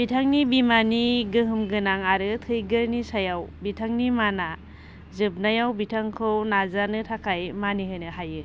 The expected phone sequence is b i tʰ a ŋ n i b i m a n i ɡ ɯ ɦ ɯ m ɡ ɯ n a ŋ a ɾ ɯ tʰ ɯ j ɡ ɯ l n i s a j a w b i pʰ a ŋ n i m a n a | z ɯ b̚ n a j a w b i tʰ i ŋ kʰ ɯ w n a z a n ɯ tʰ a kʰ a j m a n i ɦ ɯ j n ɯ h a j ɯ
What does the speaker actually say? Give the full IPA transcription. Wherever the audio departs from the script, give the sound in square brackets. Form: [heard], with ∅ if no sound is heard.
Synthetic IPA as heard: b i tʰ a ŋ n i b i m a n i ɡ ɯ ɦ ɯ m ɡ ɯ n a ŋ a ɾ ɯ tʰ ɯ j ɡ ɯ [ɾ] n i s a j a w b i [tʰ] a ŋ n i m a n a | z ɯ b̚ n a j a w b i tʰ [a] ŋ kʰ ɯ w n a z a n ɯ tʰ a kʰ a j m a n i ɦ ɯ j n ɯ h a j ɯ

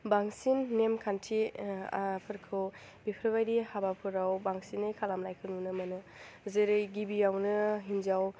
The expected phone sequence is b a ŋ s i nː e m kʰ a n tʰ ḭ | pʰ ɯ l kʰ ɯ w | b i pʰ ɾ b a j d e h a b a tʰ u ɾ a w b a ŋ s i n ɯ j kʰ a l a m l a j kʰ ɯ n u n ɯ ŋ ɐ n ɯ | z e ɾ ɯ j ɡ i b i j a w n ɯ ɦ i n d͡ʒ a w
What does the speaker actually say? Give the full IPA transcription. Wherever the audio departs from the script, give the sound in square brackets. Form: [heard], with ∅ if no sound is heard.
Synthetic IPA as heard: b a ŋ s i nː e m kʰ a n tʰ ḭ | pʰ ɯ [ɾ] kʰ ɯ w | b i pʰ ɾ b a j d [i] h a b a [pʰ] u ɾ a w b a ŋ s i n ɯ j kʰ a l a m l a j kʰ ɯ n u n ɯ [m] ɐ n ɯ | z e ɾ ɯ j ɡ i b i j a w n ɯ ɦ i n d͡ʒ a w

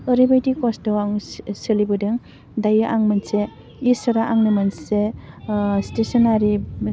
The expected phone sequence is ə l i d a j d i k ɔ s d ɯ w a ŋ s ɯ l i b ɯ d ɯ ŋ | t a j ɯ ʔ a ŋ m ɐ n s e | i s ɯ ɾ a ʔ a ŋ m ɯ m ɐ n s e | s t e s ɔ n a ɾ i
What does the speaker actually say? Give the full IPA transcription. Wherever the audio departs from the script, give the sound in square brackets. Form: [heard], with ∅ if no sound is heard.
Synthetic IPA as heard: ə [ɾ] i [b] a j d i k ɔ s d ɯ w a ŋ s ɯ l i b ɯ d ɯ ŋ | [d] a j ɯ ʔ a ŋ m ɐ n s e | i s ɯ ɾ a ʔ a ŋ [n] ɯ m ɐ n s e | s t e s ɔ n a ɾ i

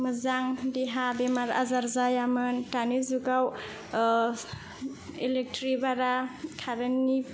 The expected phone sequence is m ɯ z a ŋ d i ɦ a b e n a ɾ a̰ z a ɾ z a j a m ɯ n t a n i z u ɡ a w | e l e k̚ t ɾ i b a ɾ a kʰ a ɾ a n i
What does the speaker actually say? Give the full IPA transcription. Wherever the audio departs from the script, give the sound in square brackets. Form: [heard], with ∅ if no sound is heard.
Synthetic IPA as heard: m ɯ z a ŋ d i ɦ a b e [m] a ɾ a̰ z a ɾ z a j a m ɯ n t a n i z u ɡ a w | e l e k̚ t ɾ i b a ɾ a kʰ a ɾ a n i

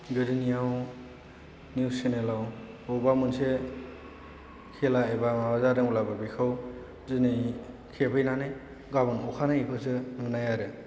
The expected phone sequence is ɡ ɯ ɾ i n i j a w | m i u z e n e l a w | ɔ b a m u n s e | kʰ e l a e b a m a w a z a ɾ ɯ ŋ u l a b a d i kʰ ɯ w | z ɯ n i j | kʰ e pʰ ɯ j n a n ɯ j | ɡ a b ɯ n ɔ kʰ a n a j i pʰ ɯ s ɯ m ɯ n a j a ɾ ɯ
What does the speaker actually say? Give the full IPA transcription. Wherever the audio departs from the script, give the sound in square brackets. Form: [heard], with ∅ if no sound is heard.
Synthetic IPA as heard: ɡ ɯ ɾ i n i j a w | [n] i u [s] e n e l a w | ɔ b a m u n s e | kʰ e l a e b a m a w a z a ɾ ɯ ŋ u l a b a [b] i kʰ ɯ w | z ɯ n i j | kʰ e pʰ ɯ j n a n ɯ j | ɡ a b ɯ n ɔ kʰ a n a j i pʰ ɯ s ɯ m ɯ n a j a ɾ ɯ

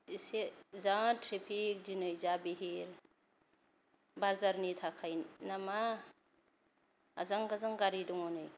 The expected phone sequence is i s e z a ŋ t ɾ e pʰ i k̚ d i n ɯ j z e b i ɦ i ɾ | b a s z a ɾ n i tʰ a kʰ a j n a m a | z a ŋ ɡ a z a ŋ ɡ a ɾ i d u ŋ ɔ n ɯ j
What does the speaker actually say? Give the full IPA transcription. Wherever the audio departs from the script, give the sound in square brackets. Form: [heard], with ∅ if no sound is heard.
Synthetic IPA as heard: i s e z a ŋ t ɾ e pʰ i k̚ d i n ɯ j z [a] b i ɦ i ɾ | b a [∅] z a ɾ n i tʰ a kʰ a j n a m a | z a ŋ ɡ a z a ŋ ɡ a ɾ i d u ŋ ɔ n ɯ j

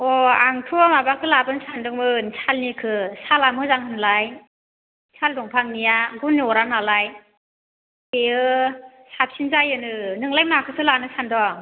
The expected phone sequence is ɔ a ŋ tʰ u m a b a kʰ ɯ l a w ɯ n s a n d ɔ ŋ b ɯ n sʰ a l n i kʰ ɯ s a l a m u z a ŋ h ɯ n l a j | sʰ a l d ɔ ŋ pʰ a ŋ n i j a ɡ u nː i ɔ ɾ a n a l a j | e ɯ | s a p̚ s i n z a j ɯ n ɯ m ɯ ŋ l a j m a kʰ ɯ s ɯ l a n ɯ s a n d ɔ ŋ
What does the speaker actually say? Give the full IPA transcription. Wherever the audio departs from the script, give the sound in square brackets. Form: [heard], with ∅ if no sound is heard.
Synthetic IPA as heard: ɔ a ŋ tʰ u m a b a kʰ ɯ l a [b] ɯ n s a n d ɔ ŋ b ɯ n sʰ a l n i kʰ ɯ s a l a m [ɯ] z a ŋ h ɯ n l a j | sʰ a l d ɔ ŋ pʰ a ŋ n i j a ɡ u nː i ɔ ɾ a n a l a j | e ɯ | s a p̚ s i n z a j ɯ n ɯ [n] ɯ ŋ l a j m a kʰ ɯ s ɯ l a n ɯ s a n d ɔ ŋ

